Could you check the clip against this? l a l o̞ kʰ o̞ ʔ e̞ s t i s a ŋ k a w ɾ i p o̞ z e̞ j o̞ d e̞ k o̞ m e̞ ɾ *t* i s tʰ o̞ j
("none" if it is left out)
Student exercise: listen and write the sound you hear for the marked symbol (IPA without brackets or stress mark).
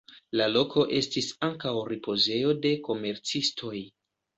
t͡s